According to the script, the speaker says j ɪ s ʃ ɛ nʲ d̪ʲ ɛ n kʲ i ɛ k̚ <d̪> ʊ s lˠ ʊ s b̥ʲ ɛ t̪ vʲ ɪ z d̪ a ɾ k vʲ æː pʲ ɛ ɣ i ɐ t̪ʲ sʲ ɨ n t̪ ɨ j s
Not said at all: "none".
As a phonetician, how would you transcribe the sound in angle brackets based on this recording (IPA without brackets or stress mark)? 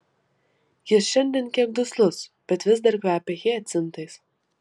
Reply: d̪